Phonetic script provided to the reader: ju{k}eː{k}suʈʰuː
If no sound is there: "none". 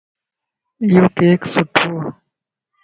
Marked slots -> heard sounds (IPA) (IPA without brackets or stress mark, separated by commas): k, k